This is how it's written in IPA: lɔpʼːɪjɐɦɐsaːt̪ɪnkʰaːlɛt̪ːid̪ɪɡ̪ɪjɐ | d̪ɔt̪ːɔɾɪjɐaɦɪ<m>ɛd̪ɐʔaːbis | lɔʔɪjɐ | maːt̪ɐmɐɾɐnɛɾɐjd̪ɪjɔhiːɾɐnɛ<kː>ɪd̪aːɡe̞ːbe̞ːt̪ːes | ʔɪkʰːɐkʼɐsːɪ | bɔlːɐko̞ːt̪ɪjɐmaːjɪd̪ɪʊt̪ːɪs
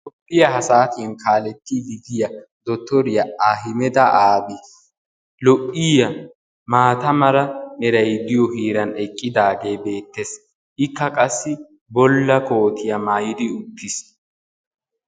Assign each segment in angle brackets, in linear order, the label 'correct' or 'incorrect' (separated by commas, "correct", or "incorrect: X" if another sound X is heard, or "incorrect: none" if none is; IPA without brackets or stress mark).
correct, incorrect: kʼː